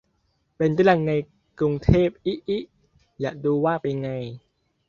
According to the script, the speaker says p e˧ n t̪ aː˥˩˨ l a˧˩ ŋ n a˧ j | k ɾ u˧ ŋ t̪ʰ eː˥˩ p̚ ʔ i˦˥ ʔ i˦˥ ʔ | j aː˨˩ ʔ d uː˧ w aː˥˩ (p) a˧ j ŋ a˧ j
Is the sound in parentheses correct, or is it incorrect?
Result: correct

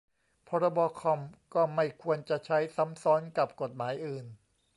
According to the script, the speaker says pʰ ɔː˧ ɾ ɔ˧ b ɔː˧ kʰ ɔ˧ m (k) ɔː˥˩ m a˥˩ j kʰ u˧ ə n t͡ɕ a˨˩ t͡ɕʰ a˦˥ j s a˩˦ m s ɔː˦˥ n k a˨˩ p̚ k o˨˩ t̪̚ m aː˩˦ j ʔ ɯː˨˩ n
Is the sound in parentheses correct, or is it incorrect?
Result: correct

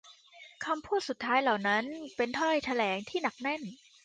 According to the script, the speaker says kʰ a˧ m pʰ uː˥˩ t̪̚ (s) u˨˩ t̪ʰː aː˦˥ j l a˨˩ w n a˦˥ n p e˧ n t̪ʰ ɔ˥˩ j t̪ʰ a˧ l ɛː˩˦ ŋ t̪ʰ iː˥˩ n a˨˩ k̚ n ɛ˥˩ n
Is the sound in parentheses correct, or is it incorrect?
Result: correct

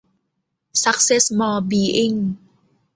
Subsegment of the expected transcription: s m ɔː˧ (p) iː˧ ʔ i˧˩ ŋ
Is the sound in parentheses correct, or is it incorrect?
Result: incorrect: b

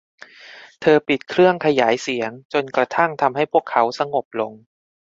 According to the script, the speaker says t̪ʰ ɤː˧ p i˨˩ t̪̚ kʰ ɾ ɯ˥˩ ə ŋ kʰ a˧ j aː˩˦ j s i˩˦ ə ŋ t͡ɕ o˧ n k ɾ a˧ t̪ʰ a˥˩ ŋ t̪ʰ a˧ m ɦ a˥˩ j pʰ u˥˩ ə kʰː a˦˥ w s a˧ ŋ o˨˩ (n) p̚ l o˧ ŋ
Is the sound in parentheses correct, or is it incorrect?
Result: incorrect: none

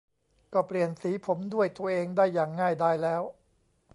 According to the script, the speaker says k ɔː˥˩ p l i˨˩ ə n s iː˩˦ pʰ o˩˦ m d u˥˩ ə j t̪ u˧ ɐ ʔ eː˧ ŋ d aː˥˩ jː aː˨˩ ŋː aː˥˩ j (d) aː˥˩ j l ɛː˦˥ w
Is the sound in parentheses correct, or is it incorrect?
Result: correct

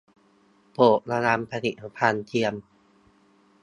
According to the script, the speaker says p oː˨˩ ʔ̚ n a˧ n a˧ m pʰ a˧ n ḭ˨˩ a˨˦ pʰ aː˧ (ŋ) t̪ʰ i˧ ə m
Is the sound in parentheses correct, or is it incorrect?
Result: incorrect: n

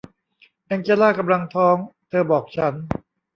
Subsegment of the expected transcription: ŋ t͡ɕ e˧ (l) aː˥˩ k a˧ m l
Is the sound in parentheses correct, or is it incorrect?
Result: correct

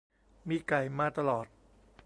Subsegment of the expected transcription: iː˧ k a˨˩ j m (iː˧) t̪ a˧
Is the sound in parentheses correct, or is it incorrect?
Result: incorrect: aː˧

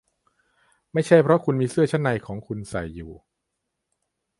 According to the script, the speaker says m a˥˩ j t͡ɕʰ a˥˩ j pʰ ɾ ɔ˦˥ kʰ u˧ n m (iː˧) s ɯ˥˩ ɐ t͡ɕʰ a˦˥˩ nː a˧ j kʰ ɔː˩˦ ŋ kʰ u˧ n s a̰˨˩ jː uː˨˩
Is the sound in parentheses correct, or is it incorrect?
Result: correct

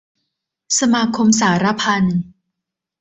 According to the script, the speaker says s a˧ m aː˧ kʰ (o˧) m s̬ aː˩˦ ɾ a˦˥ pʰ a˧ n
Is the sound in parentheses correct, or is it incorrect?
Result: correct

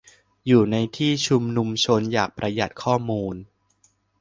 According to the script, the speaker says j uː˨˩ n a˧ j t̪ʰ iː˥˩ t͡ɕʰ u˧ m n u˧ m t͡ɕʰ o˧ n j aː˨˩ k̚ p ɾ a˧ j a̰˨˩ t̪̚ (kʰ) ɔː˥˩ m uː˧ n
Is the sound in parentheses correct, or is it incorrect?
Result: correct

